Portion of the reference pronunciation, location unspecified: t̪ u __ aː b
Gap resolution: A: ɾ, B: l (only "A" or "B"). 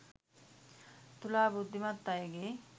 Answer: B